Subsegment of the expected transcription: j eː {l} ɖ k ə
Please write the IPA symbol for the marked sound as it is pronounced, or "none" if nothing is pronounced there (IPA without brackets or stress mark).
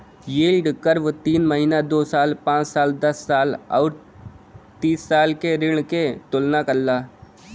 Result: l